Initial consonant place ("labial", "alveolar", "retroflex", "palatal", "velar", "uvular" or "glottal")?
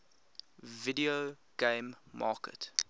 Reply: labial